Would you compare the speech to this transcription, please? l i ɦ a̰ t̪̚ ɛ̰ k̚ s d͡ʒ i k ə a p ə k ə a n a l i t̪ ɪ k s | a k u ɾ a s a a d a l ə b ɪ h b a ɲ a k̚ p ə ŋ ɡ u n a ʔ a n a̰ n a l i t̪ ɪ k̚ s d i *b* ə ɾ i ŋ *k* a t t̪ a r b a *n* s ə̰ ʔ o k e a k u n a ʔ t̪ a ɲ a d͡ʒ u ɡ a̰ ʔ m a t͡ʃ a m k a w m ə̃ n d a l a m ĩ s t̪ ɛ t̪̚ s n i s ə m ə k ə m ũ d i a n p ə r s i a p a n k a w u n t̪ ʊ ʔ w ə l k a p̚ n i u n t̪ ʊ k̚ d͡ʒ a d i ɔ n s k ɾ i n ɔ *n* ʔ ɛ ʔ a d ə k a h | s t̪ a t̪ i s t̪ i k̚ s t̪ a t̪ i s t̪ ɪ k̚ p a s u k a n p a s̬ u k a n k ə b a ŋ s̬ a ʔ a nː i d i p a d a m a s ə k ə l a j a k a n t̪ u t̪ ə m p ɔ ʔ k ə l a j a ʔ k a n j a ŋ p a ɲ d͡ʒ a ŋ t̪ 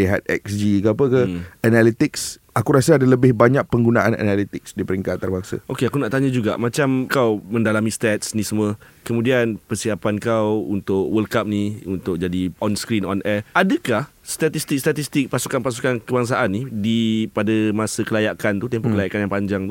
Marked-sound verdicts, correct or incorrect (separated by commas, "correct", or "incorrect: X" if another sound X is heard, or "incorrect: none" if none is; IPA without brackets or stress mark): incorrect: p, correct, incorrect: ŋ, correct